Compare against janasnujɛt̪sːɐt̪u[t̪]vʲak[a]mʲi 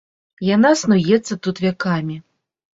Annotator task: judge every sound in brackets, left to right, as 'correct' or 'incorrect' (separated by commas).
correct, correct